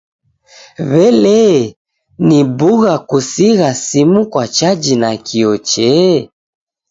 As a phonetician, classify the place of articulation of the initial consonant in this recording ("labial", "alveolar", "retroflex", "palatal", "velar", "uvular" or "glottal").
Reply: labial